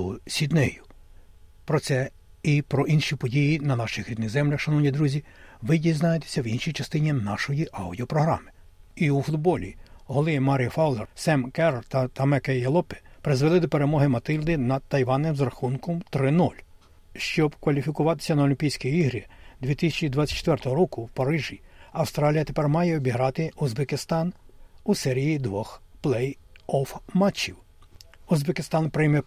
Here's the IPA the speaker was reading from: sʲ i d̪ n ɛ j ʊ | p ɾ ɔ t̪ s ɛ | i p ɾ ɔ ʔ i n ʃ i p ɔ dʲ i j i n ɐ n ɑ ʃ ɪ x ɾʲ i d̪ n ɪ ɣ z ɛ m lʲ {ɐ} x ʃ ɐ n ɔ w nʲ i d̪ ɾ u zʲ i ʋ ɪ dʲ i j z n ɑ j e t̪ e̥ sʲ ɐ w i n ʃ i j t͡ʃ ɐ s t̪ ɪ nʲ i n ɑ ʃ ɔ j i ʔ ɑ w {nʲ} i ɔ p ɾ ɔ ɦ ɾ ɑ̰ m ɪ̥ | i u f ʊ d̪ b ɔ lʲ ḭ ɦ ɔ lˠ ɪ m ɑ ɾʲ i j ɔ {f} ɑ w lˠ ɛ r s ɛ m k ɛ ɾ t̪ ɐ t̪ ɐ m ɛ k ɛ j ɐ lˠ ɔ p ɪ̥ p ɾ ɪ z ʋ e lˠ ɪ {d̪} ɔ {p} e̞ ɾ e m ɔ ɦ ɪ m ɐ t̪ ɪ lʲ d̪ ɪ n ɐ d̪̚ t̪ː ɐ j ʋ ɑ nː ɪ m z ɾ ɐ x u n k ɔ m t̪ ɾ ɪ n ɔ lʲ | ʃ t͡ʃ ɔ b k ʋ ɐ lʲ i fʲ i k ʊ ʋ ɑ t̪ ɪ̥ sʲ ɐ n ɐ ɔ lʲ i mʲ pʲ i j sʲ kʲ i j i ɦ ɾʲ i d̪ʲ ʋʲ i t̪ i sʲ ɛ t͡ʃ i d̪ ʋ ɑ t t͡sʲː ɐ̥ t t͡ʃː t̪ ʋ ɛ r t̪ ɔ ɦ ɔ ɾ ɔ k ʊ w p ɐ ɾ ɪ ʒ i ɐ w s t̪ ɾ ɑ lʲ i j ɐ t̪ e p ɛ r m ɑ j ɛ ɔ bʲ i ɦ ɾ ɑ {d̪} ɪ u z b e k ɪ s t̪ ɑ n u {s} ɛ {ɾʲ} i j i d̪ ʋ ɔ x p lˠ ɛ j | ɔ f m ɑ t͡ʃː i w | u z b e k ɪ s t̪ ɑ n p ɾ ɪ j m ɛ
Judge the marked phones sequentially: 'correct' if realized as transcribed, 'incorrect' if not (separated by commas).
correct, incorrect, correct, correct, correct, incorrect, correct, correct